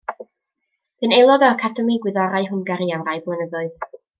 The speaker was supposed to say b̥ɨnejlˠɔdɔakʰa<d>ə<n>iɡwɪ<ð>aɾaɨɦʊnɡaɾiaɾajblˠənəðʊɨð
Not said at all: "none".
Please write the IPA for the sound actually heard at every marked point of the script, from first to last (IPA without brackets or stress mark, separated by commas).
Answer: d, m, ð